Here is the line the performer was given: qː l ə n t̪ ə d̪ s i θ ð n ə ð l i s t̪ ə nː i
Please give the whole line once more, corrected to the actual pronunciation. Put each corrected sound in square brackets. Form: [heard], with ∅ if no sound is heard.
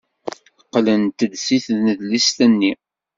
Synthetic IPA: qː l ə n t̪ ə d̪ s i θ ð n ə ð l i s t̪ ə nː i